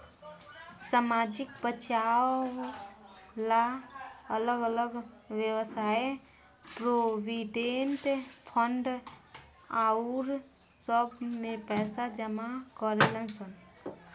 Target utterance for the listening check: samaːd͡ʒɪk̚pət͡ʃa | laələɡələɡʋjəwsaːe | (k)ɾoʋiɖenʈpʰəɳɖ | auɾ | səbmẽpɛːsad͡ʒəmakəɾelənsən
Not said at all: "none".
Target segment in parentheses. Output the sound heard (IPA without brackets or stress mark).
p